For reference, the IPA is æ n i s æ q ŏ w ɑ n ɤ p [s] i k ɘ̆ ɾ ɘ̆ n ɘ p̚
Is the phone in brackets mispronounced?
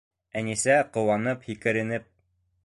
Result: yes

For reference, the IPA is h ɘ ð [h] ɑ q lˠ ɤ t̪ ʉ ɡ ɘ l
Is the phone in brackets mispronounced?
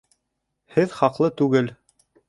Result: yes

